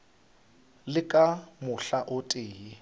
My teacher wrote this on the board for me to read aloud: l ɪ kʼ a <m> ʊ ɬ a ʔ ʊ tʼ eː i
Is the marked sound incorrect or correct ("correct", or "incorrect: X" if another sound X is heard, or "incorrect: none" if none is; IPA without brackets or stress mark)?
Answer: correct